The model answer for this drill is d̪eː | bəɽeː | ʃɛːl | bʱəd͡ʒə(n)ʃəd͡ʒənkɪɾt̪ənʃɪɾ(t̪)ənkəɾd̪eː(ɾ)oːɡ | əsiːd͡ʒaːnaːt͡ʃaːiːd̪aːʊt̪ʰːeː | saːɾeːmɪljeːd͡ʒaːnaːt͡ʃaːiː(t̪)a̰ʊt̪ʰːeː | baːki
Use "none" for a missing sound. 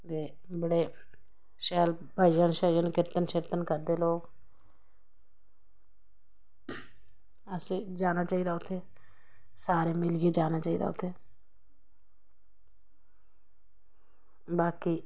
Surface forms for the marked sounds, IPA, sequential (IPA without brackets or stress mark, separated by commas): n, t̪, l, d̪